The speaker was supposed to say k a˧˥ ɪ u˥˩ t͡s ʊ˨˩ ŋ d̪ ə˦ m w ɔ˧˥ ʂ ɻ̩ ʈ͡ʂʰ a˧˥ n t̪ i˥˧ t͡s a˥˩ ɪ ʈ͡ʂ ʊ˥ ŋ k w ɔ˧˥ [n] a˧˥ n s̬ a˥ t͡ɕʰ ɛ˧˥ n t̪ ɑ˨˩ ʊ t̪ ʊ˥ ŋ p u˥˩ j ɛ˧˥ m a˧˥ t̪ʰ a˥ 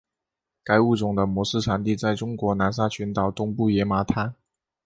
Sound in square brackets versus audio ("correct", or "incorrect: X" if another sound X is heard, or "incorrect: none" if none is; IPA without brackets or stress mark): correct